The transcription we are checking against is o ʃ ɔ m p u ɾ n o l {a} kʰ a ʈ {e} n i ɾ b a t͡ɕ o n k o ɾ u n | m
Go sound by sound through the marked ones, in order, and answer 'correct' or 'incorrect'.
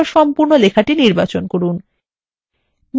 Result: incorrect, incorrect

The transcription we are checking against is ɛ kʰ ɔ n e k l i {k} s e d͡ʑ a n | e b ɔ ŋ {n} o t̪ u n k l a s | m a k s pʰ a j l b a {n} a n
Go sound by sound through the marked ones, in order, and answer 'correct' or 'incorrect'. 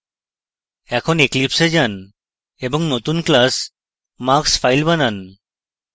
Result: incorrect, correct, correct

